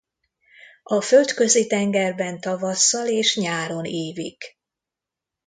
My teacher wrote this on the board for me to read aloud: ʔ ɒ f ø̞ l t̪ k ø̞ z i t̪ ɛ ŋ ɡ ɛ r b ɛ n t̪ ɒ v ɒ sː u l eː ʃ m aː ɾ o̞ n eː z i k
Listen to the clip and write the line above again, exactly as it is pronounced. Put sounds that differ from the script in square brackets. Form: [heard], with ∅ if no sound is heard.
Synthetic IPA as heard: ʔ ɒ f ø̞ l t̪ k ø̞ z i t̪ ɛ ŋ ɡ ɛ r b ɛ n t̪ ɒ v ɒ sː [ɒ] l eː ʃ [ɲ] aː ɾ o̞ n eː [v] i k